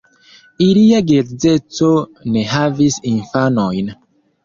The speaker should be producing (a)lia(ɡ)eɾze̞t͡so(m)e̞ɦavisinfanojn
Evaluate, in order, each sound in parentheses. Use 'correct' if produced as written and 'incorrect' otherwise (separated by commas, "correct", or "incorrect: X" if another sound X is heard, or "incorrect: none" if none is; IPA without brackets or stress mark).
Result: incorrect: i, correct, incorrect: n